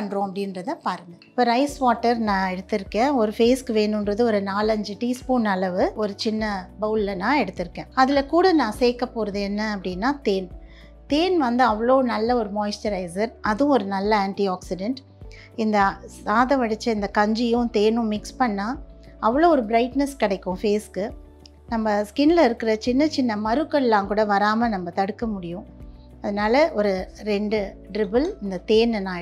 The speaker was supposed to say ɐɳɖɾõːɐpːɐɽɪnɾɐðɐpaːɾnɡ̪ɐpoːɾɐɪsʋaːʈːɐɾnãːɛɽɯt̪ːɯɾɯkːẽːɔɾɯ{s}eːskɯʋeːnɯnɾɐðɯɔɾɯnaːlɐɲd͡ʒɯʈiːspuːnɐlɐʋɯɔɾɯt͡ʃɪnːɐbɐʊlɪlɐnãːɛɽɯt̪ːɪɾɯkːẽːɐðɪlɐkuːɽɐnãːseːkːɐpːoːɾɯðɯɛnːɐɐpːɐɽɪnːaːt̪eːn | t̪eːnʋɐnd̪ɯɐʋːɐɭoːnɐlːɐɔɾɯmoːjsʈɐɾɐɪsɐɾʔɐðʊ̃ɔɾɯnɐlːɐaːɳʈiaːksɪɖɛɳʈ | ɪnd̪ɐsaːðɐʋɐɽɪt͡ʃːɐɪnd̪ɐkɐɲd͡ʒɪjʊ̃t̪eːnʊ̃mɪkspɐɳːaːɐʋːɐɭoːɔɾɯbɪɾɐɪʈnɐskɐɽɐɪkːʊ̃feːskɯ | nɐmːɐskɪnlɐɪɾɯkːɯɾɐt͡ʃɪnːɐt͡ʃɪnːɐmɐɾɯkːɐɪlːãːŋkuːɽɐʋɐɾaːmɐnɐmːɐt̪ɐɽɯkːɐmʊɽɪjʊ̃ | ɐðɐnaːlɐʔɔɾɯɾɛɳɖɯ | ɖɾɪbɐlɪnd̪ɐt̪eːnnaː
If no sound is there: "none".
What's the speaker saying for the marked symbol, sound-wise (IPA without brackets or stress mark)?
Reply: f